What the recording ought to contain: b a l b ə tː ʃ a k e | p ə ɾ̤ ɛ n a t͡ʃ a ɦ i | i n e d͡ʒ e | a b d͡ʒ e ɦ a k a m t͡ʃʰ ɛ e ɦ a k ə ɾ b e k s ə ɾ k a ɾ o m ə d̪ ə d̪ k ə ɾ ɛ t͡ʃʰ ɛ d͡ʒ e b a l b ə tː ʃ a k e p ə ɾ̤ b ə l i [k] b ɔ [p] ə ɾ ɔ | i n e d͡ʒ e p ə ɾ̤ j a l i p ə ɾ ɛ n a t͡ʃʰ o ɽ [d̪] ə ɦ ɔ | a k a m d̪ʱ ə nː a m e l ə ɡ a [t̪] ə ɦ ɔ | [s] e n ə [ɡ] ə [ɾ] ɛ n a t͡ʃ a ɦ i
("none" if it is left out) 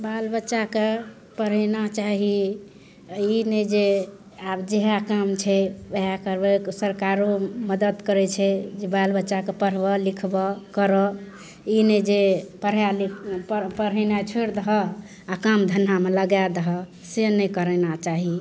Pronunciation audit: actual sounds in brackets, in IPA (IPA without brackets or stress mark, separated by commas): kʰ, k, d̪, d̪, s, k, ɾ